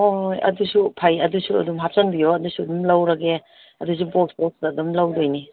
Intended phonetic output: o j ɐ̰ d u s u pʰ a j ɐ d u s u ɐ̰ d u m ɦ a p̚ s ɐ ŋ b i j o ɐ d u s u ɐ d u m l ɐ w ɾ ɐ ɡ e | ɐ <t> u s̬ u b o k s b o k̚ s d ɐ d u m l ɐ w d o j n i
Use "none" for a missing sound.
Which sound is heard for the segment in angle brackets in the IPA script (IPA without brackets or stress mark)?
d